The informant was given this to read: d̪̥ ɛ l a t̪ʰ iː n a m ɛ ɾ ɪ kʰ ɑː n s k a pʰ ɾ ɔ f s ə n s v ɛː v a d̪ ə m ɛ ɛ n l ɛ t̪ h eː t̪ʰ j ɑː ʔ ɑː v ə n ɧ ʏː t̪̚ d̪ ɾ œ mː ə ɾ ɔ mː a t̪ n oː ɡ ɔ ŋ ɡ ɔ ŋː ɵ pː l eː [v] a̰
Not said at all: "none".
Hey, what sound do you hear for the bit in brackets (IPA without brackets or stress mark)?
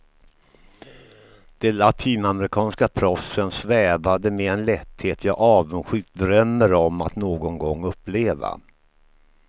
v